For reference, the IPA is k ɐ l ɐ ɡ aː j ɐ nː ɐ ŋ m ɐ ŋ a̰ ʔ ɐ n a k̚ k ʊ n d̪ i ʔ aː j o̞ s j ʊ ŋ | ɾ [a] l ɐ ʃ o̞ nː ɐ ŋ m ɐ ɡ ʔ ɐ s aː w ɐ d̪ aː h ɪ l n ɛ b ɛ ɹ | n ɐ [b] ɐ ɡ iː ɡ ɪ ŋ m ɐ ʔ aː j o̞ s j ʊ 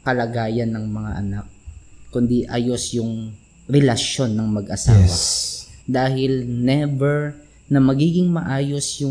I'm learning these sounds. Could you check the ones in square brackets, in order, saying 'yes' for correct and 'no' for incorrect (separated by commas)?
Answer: no, no